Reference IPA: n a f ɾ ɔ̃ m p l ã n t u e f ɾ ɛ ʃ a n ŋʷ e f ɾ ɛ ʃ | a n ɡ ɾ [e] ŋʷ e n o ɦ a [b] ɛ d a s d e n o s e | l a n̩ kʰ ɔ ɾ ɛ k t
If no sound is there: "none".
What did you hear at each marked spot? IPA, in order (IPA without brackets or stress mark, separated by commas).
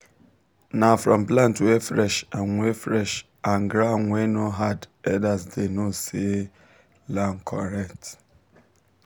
a, d